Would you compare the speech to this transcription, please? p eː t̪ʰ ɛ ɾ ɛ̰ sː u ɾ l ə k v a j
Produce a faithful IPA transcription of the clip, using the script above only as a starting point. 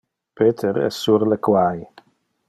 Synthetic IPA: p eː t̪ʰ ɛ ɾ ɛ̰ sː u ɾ l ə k w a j